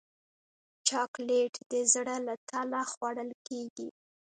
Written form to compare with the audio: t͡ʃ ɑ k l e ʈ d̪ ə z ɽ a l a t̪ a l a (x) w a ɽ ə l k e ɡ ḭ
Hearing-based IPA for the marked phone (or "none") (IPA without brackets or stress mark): x